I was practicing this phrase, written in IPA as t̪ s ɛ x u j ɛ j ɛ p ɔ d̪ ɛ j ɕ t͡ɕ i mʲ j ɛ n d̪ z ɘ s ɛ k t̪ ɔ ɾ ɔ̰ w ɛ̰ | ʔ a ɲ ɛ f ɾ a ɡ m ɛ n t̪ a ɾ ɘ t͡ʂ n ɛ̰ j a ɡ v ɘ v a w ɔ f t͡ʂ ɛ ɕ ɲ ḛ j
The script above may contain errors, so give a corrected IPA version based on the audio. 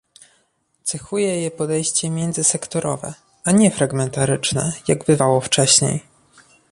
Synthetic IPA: t̪ s ɛ x u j ɛ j ɛ p ɔ d̪ ɛ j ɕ t͡ɕ ɛ mʲ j ɛ n d̪ z ɘ s ɛ k t̪ ɔ ɾ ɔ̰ v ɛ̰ | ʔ a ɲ ɛ f ɾ a ɡ m ɛ n t̪ a ɾ ɘ t͡ʂ n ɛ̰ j a ɡ b ɘ v a w ɔ f t͡ʂ ɛ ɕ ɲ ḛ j